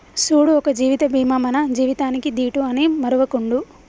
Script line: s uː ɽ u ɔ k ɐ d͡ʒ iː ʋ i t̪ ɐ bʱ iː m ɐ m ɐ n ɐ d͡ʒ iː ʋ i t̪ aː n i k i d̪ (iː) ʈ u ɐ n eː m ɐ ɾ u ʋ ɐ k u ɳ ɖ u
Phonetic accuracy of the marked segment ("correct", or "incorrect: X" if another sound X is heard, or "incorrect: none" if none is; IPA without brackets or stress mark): correct